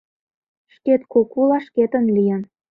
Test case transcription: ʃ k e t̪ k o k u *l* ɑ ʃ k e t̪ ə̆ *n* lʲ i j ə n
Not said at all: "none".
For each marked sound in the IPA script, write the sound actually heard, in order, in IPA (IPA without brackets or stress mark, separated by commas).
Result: l, n